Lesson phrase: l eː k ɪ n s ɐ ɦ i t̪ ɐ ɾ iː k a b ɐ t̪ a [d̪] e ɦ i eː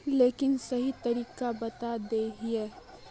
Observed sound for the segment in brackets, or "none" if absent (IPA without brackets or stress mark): d̪